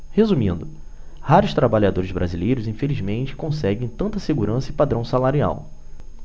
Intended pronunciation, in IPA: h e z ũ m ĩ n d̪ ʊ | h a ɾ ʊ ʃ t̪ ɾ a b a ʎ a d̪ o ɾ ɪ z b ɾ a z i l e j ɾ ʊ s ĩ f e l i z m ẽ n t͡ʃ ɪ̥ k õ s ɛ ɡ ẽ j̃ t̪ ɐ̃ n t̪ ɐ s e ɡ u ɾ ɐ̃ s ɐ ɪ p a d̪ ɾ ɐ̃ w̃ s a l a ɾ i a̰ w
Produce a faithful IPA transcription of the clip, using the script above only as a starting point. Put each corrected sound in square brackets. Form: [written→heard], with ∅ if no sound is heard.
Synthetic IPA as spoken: h e z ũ m ĩ n d̪ ʊ | h a ɾ ʊ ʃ t̪ ɾ a b a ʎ a d̪ o ɾ ɪ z b ɾ a z i l e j ɾ ʊ [s→z] ĩ f e l i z m ẽ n t͡ʃ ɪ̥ k õ s ɛ ɡ ẽ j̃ t̪ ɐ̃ n t̪ ɐ s e ɡ u ɾ ɐ̃ s ɐ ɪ p a d̪ ɾ ɐ̃ w̃ s a l a ɾ i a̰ w